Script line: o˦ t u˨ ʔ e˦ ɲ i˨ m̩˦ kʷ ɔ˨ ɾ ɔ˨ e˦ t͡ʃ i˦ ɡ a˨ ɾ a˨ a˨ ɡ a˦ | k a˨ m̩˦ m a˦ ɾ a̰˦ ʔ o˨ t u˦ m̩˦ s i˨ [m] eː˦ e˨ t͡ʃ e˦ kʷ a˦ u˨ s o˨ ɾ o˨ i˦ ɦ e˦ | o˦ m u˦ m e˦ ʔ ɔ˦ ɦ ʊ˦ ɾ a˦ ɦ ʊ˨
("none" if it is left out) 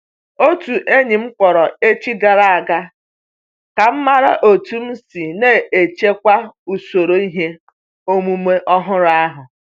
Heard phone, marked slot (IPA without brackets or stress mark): n